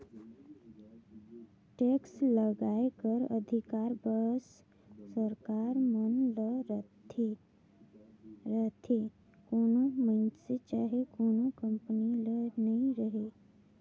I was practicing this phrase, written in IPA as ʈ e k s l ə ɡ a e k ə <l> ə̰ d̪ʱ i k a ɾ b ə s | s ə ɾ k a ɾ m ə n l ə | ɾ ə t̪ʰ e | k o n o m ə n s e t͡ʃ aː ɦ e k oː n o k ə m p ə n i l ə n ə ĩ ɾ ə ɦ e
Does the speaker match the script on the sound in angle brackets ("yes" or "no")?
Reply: no